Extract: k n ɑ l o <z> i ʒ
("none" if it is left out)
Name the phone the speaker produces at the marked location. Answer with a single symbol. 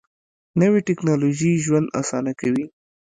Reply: ʒ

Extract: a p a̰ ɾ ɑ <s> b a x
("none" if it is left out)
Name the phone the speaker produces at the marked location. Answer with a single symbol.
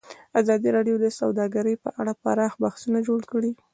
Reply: x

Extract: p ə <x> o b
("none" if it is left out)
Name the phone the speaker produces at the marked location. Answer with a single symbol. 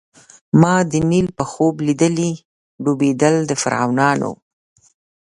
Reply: x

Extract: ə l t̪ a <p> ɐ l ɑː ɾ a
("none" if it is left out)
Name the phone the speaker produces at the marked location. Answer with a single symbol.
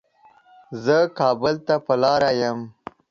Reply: p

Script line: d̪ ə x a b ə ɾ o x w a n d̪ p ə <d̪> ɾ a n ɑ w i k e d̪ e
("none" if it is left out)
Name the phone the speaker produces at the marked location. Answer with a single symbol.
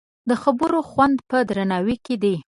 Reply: d̪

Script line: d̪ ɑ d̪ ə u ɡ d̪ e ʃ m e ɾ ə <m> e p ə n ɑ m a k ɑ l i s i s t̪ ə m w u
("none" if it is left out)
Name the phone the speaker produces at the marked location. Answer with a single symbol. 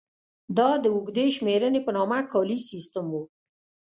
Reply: n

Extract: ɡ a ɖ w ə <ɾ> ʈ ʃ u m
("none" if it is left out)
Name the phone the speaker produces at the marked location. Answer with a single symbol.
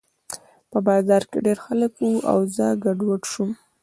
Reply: none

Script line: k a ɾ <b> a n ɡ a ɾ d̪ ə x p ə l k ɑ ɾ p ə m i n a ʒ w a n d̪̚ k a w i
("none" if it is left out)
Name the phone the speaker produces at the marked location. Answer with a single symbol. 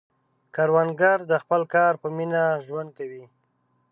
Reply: w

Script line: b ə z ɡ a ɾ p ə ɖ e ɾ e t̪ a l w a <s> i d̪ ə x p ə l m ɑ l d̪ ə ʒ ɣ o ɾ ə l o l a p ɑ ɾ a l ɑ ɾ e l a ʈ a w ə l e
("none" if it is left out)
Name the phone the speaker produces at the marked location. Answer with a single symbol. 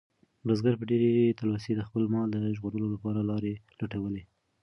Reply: s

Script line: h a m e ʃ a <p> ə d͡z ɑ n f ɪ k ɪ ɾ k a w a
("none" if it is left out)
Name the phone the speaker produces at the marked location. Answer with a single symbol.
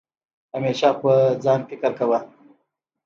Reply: p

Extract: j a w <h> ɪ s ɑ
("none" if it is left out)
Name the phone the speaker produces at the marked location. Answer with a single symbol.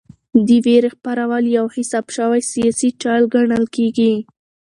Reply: h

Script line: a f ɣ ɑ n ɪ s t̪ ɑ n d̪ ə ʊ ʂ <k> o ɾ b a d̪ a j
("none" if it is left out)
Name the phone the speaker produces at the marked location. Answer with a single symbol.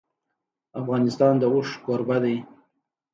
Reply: k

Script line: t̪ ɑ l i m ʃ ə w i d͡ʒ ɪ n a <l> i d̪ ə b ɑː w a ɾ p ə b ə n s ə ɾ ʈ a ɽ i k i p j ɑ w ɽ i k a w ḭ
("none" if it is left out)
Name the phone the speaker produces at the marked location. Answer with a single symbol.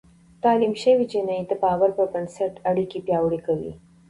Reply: none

